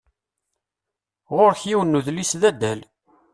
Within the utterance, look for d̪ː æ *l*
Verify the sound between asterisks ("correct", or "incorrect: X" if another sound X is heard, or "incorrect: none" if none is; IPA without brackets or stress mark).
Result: correct